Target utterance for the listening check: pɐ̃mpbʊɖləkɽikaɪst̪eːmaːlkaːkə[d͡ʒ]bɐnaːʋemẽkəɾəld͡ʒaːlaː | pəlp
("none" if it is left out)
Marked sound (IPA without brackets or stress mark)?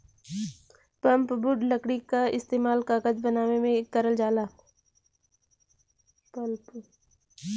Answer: d͡ʒ